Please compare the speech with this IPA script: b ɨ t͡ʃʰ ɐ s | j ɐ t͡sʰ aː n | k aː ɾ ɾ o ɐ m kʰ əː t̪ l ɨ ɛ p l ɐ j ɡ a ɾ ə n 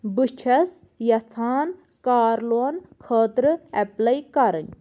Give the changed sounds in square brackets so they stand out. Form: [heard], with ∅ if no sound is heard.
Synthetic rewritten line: b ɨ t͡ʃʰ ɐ s | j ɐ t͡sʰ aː n | k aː ɾ [l] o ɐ [n] kʰ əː t̪ [ɾ] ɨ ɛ p l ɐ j [k] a ɾ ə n